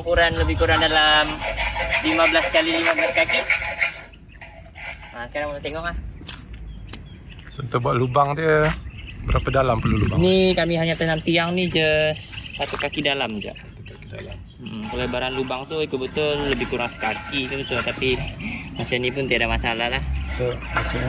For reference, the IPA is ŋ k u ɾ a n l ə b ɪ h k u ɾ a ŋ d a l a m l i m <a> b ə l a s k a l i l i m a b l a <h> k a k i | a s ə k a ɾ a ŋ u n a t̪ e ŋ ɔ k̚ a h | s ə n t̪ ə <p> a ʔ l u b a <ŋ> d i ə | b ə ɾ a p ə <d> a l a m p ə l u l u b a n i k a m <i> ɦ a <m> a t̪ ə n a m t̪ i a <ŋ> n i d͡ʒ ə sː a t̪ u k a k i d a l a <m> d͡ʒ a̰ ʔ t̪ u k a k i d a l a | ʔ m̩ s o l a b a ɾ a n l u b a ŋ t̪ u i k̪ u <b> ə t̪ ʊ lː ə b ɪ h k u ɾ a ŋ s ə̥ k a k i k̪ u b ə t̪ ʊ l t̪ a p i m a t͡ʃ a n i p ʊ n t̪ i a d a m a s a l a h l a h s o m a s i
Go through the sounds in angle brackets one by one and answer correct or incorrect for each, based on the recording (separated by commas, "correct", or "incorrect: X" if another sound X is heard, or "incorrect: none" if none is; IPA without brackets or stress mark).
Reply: correct, incorrect: s, incorrect: b, correct, correct, correct, incorrect: ɲ, correct, correct, correct